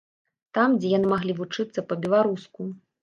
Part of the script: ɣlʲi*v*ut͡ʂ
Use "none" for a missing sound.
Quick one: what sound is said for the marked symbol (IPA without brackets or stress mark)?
v